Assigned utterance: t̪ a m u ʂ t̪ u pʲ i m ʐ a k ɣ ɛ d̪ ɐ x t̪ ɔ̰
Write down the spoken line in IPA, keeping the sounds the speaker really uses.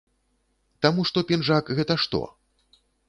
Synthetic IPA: t̪ a m u ʂ t̪ ɔ pʲ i n ʐ a k ɣ ɛ t̪ ɐ ʂ t̪ ɔ̰